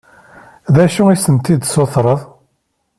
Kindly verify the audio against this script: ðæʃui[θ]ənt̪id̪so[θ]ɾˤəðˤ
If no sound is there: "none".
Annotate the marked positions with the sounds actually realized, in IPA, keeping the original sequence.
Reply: s, θ

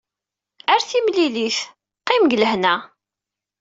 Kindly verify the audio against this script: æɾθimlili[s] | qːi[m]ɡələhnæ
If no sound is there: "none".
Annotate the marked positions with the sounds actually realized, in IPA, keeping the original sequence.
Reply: θ, m

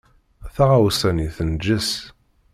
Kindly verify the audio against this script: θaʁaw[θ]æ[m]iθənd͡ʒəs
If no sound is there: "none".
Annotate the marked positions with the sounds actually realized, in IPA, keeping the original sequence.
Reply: s, n

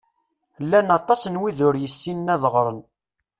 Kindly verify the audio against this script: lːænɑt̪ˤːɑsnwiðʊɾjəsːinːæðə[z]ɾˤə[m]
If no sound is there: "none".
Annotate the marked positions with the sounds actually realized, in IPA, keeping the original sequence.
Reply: ʁ, n

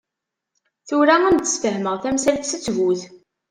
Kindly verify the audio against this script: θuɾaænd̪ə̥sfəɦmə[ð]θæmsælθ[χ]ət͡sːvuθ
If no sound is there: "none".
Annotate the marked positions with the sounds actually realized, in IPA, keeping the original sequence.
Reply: ʁ, s

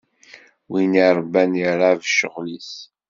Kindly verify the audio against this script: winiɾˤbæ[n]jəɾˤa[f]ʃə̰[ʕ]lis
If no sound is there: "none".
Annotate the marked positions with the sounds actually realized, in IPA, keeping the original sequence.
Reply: n, v, ʁ

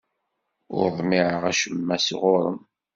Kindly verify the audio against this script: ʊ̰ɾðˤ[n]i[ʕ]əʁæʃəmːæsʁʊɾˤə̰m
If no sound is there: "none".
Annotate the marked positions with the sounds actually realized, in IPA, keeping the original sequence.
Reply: m, ʕ

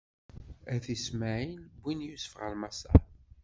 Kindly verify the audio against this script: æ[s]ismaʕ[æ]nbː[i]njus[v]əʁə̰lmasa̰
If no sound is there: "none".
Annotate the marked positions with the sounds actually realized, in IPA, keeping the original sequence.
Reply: θ, i, i, f

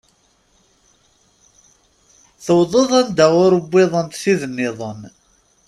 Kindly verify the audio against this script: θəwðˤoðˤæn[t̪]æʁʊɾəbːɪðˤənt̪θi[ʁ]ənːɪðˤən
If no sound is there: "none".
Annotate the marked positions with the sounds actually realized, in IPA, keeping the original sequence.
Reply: d̪, ð

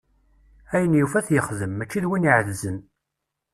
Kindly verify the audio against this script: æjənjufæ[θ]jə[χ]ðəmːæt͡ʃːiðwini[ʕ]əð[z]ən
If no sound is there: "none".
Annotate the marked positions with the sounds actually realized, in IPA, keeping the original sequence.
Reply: θ, χ, ʕ, z

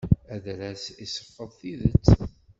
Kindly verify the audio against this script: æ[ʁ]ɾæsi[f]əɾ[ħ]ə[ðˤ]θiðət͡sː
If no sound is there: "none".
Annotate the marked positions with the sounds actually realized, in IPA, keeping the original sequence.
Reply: ð, s, f, ðˤ

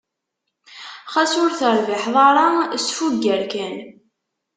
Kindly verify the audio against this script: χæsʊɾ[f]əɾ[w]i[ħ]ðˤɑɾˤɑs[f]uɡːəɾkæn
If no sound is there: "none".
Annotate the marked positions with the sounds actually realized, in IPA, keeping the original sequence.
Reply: θ, v, ħ, f

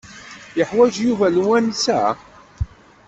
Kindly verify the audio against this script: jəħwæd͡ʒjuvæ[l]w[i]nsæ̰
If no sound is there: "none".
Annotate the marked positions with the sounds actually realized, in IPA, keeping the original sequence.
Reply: l, æ

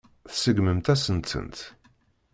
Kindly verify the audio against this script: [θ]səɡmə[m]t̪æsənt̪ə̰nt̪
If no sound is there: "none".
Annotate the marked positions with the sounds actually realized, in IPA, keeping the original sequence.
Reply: θ, m

